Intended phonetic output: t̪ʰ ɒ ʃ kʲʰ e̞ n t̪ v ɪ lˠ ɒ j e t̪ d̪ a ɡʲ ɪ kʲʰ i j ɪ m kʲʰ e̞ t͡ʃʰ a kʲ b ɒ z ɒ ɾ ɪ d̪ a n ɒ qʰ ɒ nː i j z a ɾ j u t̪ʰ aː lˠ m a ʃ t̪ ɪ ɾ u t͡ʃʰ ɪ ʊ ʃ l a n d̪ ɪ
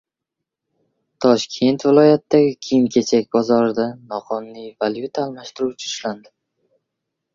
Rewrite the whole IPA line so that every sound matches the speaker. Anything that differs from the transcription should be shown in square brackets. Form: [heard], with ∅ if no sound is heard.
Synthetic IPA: t̪ʰ ɒ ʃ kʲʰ e̞ n t̪ v ɪ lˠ ɒ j [a] t̪ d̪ a ɡʲ ɪ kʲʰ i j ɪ m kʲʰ e̞ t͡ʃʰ a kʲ b ɒ z ɒ ɾ ɪ d̪ a n ɒ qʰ ɒ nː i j [v] a [l] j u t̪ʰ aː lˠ m a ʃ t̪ ɪ ɾ u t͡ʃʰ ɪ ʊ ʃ l a n d̪ ɪ